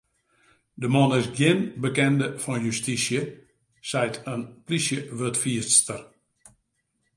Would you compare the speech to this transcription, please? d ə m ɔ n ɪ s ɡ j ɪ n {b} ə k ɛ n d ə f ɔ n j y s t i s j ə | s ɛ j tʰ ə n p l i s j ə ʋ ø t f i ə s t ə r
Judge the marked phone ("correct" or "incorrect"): correct